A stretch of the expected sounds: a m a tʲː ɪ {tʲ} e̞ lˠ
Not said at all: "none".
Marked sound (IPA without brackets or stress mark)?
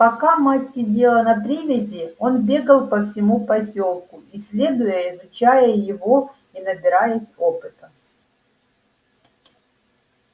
dʲ